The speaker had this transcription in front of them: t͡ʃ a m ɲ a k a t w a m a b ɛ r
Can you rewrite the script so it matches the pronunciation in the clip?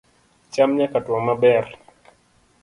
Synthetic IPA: t͡ʃ a m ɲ a k a t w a m a b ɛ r